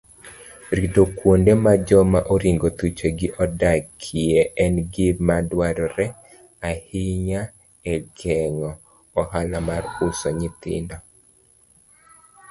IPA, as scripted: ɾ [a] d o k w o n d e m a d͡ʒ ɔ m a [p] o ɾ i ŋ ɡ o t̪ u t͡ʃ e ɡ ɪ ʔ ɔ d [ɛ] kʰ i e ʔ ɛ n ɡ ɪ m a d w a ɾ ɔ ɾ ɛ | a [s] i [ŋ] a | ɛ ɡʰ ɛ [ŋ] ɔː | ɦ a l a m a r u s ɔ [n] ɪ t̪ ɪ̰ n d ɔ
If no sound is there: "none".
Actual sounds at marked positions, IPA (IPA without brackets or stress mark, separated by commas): i, ʔ, a, h, ɲ, ŋ, ɲ